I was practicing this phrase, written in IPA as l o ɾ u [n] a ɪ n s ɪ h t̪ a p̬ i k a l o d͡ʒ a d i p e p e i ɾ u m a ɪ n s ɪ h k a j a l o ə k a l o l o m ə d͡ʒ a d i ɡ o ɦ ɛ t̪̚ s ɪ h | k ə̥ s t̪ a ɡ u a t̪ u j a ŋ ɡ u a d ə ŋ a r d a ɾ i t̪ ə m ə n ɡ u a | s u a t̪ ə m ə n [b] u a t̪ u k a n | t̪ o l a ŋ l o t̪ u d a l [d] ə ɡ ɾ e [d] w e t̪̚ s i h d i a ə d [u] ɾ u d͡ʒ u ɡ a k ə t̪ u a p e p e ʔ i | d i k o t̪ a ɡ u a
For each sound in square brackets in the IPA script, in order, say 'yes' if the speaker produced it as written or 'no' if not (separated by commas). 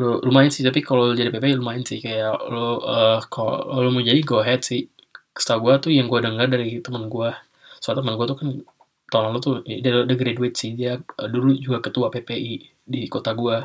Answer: no, no, yes, yes, yes